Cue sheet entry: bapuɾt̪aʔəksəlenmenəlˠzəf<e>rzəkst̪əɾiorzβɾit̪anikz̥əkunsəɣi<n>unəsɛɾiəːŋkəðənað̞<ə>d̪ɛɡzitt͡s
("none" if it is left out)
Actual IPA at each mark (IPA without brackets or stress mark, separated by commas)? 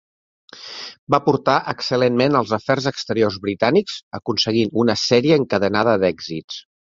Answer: ɛ, n, ə